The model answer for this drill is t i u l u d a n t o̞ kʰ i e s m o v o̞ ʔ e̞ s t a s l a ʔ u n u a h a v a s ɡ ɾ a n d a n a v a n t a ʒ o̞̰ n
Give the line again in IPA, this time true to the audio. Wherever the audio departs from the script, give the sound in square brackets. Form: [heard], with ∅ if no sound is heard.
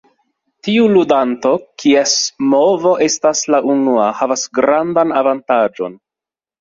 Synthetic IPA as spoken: t i u l u d a n t o̞ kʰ i e s m o v o̞ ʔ e̞ s t a s l a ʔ u n u a h a v a s ɡ ɾ a n d a n a v a n t a [d͡ʒ] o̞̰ n